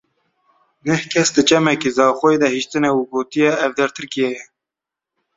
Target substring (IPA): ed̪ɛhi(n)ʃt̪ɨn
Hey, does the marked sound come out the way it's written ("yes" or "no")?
no